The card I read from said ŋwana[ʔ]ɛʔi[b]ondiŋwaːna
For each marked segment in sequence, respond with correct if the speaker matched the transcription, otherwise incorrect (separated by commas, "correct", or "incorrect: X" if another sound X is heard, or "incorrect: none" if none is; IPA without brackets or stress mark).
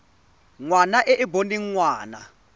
correct, correct